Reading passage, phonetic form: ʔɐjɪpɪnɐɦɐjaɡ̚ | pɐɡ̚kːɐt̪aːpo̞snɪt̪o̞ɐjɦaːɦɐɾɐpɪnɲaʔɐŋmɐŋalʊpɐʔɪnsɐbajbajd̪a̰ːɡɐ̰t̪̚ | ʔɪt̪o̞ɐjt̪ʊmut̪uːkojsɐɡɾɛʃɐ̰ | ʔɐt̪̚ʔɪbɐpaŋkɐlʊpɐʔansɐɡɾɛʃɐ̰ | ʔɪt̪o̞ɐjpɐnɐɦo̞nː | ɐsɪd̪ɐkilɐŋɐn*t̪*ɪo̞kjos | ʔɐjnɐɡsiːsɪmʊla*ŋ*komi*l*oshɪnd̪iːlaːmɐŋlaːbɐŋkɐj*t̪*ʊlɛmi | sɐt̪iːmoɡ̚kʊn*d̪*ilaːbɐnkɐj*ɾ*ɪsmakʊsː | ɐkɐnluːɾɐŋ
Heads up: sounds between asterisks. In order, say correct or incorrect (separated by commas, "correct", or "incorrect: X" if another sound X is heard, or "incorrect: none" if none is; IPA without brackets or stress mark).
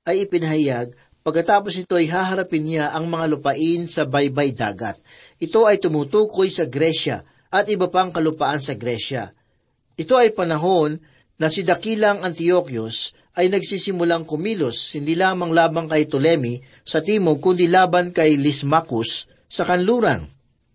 correct, correct, correct, correct, correct, incorrect: l